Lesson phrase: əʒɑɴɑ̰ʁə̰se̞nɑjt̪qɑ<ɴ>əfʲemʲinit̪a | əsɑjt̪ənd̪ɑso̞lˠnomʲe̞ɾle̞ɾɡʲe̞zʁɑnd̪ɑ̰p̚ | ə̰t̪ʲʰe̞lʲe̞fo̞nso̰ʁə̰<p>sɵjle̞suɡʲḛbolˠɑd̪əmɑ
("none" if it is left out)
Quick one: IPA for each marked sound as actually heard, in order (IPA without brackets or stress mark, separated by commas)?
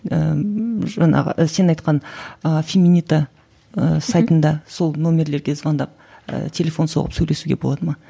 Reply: n, p